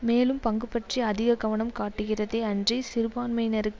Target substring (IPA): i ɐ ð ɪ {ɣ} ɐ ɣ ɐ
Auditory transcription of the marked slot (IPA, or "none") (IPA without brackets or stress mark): ɣ